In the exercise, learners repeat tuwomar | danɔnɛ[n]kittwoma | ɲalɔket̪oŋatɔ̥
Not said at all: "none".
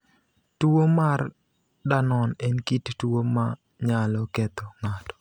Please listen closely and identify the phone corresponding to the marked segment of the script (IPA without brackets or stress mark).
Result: n